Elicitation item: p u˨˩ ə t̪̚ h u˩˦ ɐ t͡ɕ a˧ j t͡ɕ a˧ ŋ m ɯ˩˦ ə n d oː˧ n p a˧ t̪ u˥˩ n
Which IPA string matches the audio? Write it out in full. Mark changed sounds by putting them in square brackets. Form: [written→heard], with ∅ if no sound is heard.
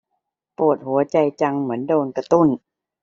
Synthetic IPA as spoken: p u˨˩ ə t̪̚ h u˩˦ ɐ t͡ɕ a˧ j t͡ɕ a˧ ŋ m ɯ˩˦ ə n d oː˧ n [p→k] a˧ t̪ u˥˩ n